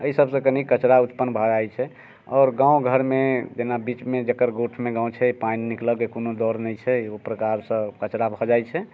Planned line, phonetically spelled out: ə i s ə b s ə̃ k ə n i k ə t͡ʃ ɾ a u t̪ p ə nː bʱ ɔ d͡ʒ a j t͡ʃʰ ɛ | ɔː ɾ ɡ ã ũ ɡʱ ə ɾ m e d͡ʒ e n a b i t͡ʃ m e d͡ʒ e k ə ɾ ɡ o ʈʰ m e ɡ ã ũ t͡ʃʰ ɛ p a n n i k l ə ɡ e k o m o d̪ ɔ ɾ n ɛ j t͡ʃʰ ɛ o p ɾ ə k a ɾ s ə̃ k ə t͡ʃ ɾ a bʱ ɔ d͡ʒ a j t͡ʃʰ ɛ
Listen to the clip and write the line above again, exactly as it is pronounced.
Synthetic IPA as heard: ə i s ə b s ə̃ k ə n i k ə t͡ʃ ɾ a u t̪ p ə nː bʱ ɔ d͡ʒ a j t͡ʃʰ ɛ | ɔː ɾ ɡ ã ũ ɡʱ ə ɾ m e d͡ʒ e n a b i t͡ʃ m e d͡ʒ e k ə ɾ ɡ o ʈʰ m e ɡ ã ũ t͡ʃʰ ɛ p a n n i k l ə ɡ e k o n o d̪ ɔ ɾ n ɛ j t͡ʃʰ ɛ o p ɾ ə k a ɾ s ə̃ k ə t͡ʃ ɾ a bʱ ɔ d͡ʒ a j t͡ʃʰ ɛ